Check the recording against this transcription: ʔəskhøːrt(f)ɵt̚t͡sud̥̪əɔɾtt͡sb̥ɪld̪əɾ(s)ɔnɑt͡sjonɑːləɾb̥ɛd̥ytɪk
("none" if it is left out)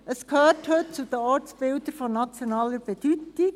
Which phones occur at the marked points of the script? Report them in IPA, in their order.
h, f

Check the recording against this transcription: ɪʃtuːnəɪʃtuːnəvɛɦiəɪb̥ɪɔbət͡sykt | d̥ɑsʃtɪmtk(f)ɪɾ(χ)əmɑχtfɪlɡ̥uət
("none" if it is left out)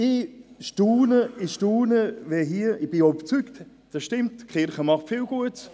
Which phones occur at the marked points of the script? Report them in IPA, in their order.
χ, χ

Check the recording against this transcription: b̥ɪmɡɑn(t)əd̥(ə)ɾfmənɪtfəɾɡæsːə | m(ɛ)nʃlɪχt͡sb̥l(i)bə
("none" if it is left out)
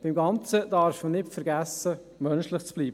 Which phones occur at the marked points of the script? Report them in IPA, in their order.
t͡s, ɑ, œ, iː

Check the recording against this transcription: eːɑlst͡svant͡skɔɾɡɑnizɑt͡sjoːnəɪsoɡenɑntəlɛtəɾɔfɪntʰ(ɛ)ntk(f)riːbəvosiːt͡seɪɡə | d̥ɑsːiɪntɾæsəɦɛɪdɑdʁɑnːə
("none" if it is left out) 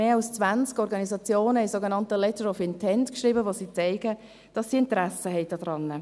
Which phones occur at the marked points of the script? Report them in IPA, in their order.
ɛ, ʃ

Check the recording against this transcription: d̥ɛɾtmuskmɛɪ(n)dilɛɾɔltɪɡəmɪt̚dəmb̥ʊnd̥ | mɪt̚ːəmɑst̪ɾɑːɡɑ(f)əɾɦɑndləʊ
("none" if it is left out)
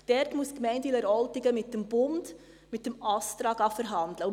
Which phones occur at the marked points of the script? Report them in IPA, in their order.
n, f

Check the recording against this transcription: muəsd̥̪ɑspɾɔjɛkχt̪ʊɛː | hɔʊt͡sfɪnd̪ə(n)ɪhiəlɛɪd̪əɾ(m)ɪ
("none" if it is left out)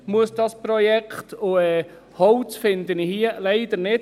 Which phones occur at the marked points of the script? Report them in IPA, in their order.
n, n

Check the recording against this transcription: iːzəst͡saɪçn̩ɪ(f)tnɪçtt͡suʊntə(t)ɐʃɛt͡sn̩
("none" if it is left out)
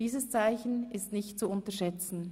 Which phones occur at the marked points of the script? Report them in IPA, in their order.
s, none

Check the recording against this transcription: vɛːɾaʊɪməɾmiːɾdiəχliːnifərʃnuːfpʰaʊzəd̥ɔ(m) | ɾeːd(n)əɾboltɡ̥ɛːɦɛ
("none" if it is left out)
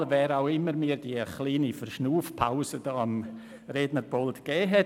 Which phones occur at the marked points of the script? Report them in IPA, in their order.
m, n

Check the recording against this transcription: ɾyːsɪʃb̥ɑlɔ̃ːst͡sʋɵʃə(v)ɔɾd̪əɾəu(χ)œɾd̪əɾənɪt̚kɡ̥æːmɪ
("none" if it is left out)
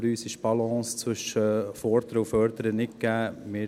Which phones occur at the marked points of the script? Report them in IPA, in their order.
f, f

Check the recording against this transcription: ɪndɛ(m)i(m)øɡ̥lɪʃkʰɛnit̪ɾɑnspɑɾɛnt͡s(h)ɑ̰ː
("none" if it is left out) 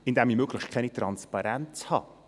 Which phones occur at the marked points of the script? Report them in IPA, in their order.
m, m, h

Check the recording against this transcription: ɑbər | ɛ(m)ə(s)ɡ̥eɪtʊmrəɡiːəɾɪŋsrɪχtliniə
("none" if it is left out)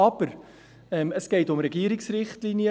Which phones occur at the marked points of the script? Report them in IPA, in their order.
m, s

